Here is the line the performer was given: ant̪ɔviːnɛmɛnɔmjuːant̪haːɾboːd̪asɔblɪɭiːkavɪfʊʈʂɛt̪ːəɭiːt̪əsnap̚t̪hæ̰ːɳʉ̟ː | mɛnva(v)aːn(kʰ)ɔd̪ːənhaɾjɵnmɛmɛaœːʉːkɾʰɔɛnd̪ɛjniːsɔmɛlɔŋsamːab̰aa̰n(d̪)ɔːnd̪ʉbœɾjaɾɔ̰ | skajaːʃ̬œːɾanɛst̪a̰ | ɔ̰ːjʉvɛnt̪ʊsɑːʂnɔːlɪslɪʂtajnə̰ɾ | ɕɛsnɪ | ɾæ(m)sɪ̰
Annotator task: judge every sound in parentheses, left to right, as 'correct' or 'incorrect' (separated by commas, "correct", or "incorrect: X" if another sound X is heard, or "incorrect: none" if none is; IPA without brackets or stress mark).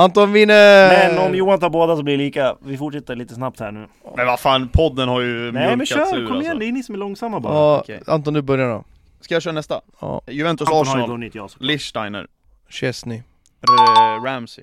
incorrect: f, incorrect: pʰ, incorrect: t̪, correct